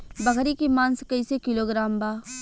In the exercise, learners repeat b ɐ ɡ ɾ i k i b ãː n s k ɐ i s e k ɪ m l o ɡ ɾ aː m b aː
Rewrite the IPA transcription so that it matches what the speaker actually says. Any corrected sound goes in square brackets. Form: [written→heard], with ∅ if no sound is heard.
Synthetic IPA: b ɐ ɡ ɾ i k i [b→m] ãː n s k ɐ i s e k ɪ [m→∅] l o ɡ ɾ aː m b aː